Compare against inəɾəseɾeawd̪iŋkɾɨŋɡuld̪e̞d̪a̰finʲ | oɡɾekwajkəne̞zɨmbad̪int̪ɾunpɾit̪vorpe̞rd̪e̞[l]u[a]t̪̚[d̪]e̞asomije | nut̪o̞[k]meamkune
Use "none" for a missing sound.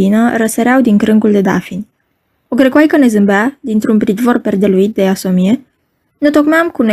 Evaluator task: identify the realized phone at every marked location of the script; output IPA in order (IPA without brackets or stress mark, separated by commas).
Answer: l, i, d̪, k